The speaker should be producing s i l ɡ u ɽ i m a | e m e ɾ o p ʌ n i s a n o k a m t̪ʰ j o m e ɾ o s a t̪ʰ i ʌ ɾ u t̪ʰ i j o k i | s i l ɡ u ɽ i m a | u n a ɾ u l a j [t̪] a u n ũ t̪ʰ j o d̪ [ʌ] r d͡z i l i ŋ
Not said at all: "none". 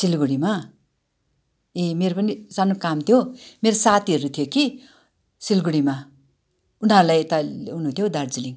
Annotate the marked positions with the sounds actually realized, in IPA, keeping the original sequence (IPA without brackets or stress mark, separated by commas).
t̪, a